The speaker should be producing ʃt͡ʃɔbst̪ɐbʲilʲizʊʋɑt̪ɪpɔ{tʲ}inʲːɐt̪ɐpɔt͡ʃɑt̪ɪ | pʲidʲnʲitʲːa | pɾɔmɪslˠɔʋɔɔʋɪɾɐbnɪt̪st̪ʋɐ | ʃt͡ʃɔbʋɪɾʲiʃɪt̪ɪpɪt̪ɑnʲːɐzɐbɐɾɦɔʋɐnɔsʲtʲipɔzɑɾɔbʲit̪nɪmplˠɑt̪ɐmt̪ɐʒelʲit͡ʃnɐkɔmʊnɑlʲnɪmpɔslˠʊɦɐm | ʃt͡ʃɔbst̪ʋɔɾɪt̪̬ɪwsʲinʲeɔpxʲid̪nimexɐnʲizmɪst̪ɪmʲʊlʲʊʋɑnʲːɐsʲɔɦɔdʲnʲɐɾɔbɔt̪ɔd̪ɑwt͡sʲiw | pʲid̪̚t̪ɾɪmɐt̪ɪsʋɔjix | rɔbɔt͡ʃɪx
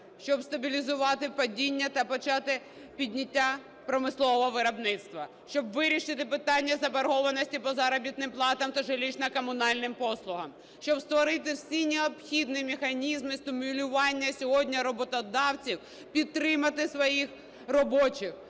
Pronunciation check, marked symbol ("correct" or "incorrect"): incorrect